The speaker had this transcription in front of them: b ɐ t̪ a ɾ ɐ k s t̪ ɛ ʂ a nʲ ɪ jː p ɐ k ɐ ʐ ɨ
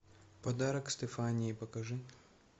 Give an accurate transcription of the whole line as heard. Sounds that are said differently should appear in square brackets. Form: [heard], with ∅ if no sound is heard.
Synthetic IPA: [p] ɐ [d̪] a ɾ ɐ k s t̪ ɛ [f] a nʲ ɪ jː p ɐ k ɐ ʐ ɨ